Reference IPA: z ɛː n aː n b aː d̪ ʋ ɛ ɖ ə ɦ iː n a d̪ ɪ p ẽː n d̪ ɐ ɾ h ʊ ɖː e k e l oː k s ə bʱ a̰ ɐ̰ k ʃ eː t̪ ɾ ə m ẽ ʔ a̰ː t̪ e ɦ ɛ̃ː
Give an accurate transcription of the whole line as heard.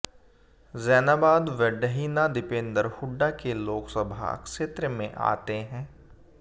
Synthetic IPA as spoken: z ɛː n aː b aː d̪ ʋ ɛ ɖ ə ɦ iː n a d̪ ɪ p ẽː n d̪ ə ɾ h ʊ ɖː a k e l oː k s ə bʱ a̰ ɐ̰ k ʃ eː t̪ ɾ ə m ẽ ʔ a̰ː t̪ e ɦ ɛ̃ː